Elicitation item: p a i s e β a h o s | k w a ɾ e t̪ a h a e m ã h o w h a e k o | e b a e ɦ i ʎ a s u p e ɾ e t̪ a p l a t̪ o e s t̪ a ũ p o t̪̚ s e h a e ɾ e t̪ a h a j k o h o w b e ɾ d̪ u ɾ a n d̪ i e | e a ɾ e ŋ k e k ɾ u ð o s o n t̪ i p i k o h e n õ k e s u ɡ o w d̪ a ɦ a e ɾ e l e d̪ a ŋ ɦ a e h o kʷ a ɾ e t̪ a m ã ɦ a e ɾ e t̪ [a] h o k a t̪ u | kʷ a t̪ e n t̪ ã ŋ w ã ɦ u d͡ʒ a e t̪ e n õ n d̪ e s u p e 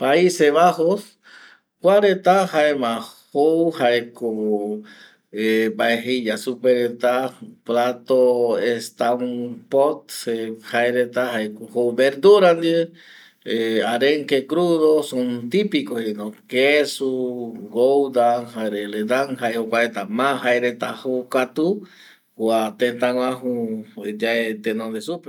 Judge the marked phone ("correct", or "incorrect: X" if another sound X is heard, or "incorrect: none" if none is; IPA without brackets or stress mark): correct